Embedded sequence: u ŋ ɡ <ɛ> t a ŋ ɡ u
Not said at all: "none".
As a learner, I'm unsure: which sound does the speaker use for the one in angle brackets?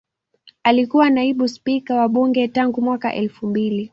ɛ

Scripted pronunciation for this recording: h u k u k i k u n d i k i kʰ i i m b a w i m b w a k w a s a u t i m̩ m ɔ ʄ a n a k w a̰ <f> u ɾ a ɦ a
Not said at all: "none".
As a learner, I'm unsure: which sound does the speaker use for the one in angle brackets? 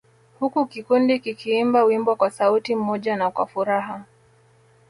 f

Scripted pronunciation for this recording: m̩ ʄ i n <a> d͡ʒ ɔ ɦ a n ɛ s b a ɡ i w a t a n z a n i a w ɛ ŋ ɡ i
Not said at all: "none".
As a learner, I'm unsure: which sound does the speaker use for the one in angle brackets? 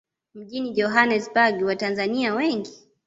i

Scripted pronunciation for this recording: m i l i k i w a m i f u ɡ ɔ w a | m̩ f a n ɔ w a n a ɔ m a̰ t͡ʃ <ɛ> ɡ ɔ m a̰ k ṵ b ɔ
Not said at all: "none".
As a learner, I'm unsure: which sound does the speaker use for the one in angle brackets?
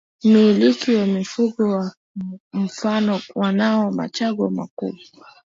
a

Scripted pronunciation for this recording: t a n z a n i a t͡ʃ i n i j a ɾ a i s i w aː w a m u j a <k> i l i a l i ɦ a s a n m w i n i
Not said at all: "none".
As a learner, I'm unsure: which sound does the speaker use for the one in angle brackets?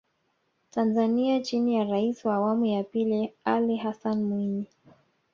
p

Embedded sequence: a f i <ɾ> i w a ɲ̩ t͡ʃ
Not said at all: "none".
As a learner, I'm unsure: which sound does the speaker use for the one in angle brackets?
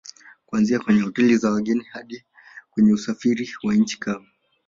ɾ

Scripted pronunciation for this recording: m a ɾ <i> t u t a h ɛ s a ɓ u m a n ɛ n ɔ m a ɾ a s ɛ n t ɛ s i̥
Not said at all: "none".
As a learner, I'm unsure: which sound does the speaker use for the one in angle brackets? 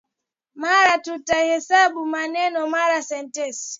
a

